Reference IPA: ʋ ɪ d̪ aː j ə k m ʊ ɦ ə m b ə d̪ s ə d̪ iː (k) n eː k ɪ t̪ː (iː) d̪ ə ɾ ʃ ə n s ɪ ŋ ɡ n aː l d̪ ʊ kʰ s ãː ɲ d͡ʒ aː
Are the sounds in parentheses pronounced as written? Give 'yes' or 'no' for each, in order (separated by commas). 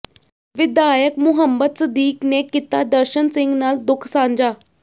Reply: yes, no